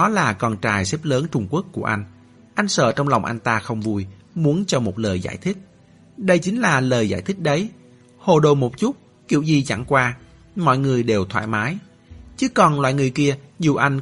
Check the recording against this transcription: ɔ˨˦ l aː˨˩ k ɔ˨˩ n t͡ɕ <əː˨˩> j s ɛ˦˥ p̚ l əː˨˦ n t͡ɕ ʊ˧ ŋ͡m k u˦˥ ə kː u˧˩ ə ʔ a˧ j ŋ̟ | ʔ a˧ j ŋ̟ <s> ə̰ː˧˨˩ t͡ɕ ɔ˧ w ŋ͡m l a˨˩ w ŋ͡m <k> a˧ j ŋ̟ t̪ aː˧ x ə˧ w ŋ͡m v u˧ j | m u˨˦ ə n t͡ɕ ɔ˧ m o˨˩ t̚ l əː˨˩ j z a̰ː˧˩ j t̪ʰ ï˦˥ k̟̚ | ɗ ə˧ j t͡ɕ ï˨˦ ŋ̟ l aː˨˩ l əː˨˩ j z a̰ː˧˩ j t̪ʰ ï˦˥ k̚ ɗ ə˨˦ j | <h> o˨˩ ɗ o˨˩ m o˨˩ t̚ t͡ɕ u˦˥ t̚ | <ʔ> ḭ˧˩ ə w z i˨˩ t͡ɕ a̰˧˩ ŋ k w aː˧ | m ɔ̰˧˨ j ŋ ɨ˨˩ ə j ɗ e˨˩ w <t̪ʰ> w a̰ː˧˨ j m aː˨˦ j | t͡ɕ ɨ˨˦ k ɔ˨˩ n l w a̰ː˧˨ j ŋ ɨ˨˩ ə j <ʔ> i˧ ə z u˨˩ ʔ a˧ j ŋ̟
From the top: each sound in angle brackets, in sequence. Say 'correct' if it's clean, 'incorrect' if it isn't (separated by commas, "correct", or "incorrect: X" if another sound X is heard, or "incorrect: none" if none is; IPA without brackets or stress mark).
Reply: incorrect: aː˨˩, correct, incorrect: ʔ, correct, incorrect: k, correct, incorrect: k